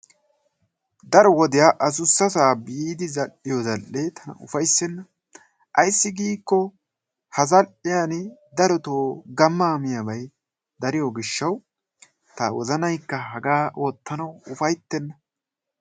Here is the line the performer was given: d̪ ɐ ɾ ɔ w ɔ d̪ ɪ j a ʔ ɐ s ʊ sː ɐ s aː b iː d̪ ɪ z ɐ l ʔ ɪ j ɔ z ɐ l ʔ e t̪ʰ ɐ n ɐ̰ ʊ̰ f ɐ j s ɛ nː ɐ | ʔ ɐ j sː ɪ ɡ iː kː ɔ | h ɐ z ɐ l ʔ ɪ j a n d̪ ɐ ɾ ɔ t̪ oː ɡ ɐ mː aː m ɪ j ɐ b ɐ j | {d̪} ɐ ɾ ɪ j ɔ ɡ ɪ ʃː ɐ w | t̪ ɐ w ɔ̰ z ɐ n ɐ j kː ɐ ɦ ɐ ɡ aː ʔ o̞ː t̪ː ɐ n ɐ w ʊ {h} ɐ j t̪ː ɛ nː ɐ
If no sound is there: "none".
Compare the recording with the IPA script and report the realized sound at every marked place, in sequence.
d̪, f

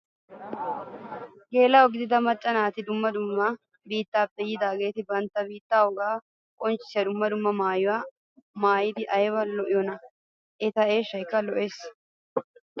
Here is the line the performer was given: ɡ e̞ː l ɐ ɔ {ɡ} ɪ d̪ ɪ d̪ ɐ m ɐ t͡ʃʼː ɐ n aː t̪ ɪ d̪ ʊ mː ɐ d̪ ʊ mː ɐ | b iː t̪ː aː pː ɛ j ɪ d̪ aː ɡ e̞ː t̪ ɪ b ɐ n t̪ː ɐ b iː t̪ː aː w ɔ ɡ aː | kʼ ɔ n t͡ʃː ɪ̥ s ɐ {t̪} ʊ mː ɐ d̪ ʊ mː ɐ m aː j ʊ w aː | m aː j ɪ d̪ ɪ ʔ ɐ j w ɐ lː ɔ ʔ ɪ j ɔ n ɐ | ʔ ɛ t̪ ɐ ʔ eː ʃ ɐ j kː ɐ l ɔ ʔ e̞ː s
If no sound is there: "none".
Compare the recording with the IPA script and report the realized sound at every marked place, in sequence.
ɡ, d̪

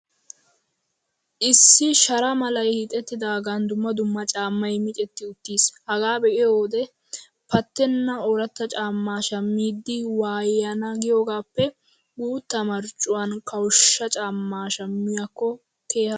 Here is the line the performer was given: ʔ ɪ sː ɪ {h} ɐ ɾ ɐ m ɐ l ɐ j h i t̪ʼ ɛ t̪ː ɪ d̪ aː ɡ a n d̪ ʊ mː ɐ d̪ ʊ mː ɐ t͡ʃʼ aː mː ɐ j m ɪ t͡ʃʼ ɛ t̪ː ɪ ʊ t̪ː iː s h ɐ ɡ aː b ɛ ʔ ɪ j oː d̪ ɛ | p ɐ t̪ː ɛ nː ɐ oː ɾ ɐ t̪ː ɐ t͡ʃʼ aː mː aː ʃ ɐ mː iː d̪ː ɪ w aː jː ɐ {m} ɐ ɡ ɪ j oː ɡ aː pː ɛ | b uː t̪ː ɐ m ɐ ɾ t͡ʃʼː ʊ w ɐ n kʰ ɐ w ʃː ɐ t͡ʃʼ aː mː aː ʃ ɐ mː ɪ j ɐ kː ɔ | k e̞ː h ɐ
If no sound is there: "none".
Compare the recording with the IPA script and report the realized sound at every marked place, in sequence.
ʃ, n

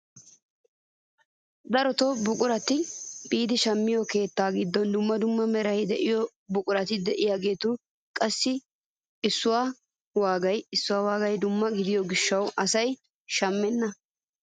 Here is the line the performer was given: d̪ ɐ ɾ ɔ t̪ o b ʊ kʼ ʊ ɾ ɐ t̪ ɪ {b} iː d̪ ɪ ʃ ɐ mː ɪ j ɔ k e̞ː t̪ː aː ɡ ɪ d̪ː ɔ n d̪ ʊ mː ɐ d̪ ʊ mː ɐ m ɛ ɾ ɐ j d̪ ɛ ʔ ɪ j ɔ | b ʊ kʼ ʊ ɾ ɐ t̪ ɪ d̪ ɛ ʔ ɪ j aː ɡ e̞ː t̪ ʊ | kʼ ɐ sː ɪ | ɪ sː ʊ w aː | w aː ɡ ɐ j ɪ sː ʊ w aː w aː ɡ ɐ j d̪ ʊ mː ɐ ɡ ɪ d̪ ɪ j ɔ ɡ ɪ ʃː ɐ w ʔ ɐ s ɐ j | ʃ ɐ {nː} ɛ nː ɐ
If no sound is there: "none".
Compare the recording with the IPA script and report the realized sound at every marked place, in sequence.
b, mː

